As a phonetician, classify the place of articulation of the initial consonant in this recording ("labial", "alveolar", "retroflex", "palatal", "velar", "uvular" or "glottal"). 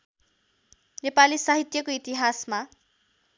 alveolar